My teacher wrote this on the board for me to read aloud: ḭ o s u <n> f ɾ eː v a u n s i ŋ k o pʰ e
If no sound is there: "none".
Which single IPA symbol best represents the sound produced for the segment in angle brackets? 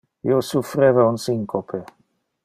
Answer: none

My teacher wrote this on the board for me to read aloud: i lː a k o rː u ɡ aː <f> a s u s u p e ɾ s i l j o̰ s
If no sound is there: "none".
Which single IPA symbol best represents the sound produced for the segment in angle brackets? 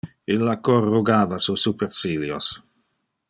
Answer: v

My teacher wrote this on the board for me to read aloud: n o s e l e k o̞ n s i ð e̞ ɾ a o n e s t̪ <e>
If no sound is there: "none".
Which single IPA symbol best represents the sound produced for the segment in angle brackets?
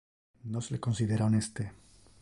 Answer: e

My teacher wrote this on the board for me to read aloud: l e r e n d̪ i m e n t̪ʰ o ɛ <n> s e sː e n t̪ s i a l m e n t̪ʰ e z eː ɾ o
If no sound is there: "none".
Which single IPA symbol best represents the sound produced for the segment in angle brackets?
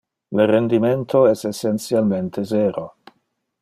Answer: none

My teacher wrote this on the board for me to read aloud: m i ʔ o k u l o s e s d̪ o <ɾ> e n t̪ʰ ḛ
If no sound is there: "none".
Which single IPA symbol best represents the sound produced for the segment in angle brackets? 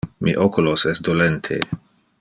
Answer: l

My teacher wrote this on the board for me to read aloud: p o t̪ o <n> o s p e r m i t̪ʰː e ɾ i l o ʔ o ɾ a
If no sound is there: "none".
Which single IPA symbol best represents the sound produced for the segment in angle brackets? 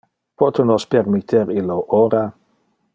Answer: n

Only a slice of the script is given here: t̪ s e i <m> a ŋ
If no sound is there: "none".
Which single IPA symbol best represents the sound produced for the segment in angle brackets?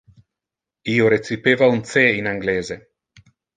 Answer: n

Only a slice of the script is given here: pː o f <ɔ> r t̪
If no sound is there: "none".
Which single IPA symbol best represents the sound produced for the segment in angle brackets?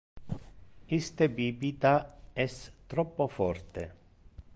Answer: ɔ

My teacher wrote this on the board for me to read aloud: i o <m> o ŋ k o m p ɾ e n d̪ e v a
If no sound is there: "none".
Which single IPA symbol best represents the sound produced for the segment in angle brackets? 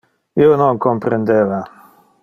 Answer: n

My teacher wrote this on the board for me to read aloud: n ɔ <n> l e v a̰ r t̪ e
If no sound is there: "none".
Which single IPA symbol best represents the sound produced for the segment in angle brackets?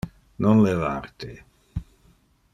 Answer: n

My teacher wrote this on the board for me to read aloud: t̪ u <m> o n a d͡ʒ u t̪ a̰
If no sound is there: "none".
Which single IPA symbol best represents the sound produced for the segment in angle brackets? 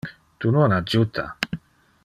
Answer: n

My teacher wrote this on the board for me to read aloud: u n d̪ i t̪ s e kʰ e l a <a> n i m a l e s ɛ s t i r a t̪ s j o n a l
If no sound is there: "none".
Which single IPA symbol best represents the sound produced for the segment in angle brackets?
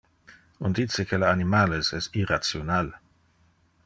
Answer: a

